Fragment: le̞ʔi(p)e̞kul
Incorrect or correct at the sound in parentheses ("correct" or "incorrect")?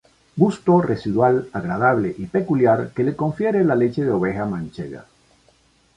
correct